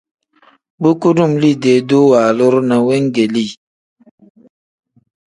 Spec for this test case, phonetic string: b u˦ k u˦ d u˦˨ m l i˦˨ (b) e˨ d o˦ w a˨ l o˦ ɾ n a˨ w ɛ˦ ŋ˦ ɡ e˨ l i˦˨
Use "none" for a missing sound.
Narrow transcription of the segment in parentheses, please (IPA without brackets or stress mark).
d